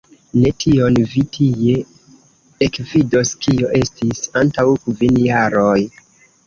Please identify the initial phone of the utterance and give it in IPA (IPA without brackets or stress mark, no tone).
n